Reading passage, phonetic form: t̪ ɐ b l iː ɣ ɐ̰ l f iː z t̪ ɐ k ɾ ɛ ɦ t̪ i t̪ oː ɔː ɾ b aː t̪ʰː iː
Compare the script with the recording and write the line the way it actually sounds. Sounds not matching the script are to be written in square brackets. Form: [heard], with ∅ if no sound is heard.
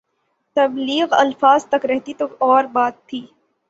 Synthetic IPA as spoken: t̪ ɐ b l iː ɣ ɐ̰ l f [aː] z t̪ ɐ k ɾ ɛ ɦ t̪ i t̪ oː ɔː ɾ b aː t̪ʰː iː